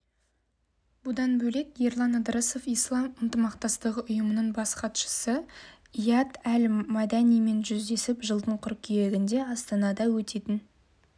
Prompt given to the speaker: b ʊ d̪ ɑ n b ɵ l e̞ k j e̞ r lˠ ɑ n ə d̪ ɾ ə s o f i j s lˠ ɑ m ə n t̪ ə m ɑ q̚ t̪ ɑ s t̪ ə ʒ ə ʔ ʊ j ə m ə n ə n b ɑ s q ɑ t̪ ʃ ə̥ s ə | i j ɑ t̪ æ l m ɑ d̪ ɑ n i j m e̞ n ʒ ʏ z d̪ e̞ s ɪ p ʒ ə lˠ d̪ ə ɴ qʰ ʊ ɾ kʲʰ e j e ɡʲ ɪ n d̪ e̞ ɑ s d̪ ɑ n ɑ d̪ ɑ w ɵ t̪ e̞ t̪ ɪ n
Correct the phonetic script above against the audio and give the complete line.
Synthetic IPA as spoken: b ʊ d̪ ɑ n b ɵ l e̞ k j e̞ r lˠ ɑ n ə d̪ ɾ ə s o f i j s lˠ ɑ m ə n t̪ ə m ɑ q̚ t̪ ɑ s t̪ ə ʁ ə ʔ ʊ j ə m ə n ə ɴ b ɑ s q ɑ t̪ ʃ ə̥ s ə | i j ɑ t̪ æ l m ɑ d̪ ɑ n i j m e̞ n ʒ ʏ z d̪ e̞ s ɪ p ʒ ə lˠ d̪ ə ɴ qʰ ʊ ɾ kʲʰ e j e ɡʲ ɪ n d̪ e̞ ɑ s t̪ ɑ n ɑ d̪ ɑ w ɵ t̪ e̞ t̪ ɪ n